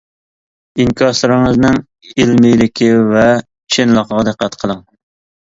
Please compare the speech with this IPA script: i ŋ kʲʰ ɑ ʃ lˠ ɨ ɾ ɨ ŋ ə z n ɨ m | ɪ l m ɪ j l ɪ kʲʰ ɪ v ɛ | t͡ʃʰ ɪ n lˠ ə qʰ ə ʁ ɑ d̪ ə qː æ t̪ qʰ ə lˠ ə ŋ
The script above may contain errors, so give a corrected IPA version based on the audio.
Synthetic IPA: i ŋ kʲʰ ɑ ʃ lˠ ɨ ɾ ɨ ŋ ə z n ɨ ŋ | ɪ l m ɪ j l ɪ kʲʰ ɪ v ɛ | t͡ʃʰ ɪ n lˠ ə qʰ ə ʁ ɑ d̪ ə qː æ t̪ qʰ ə lˠ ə ŋ